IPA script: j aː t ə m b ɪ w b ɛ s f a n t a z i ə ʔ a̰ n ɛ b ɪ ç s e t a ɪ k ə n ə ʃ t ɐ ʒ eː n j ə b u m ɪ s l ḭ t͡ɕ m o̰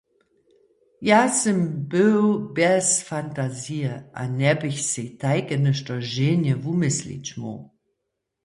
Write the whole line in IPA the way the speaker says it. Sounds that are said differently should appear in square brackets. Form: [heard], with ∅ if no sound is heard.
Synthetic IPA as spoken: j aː [s] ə m b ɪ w b ɛ s f a n t a z i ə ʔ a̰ n ɛ b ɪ ç s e t a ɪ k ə n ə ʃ t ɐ ʒ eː n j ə [v] u m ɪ s l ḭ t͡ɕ m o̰